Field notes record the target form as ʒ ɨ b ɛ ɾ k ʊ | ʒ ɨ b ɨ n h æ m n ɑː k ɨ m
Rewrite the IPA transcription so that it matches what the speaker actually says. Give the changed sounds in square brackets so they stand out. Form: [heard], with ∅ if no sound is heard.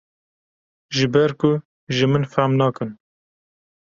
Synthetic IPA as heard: ʒ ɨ b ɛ ɾ k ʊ | ʒ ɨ [m] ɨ n [f] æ m n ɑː k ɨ [n]